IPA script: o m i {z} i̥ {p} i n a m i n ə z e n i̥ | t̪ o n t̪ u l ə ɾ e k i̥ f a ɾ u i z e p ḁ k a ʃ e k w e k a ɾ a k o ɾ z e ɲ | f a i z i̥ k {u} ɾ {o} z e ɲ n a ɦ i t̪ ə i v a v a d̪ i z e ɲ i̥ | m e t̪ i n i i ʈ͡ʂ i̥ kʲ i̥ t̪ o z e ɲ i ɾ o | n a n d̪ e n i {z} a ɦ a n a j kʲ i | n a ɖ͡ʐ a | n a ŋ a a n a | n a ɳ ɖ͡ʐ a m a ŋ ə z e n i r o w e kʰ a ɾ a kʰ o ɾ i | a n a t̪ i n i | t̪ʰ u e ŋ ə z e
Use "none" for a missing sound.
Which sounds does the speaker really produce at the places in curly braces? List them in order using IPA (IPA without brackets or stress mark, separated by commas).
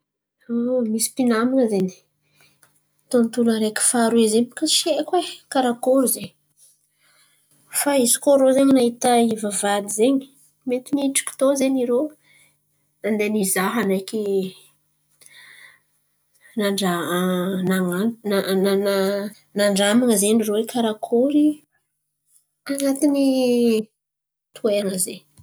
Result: s, p, o, o, z